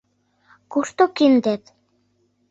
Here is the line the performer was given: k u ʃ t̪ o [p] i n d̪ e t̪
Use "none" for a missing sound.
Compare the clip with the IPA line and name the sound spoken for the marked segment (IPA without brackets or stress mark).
k